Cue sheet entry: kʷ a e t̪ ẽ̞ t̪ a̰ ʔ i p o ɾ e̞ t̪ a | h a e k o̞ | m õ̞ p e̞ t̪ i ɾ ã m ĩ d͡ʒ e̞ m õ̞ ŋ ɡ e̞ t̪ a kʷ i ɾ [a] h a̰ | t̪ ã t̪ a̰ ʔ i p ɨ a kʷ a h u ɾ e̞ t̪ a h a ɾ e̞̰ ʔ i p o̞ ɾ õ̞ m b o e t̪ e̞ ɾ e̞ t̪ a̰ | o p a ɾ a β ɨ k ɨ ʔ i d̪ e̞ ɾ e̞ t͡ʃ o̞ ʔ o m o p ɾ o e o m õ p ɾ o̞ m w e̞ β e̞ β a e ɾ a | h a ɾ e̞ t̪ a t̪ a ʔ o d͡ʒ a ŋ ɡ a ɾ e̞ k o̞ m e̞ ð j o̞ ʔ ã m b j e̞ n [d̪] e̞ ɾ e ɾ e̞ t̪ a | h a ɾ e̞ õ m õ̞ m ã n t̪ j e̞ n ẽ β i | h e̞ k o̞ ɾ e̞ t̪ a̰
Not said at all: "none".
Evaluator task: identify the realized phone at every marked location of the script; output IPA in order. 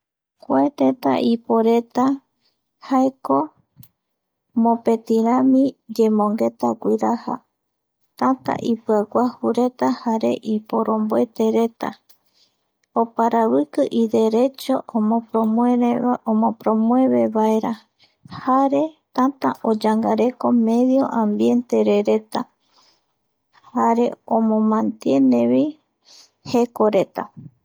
a, t̪

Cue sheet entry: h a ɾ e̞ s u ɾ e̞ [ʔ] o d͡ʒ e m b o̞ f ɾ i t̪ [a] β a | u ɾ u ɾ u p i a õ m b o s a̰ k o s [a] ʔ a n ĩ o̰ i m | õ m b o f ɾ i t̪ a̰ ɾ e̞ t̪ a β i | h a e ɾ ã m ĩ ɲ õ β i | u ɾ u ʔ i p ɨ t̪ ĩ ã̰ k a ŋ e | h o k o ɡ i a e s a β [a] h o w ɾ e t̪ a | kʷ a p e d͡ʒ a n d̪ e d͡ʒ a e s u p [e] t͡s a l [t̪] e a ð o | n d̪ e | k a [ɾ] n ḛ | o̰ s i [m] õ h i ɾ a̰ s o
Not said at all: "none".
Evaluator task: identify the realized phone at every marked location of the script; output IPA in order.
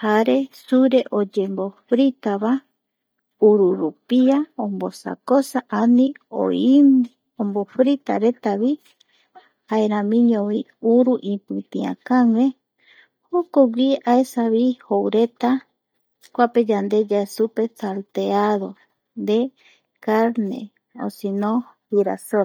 ʔ, a, a, i, e, t̪, ɾ, n

